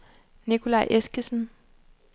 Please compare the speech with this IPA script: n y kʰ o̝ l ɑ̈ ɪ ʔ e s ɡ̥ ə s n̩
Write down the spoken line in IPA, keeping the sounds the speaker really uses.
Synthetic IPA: n i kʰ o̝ l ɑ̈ ɪ ʔ e s ɡ̥ ə s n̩